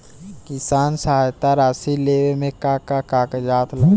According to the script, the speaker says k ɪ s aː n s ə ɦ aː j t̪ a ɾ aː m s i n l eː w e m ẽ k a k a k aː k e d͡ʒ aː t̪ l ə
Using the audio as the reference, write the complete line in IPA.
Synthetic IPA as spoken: k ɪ s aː n s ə ɦ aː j t̪ a ɾ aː s i l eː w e m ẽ k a k a k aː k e d͡ʒ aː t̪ l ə